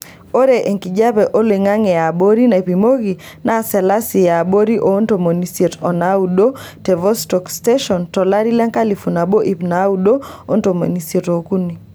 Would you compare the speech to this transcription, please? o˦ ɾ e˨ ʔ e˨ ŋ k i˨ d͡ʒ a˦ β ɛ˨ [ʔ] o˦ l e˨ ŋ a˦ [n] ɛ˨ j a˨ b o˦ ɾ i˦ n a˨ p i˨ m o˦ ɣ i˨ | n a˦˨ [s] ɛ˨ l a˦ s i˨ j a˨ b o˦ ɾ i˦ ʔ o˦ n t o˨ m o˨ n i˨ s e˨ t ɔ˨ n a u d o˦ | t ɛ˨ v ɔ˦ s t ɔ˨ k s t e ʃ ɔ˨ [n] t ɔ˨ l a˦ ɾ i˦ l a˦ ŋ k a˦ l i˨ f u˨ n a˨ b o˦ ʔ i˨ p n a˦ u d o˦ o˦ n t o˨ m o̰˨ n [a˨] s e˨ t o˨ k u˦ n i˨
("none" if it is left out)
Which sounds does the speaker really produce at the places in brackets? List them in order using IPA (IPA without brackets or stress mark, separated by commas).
ʔ, ŋ, s, n, i˨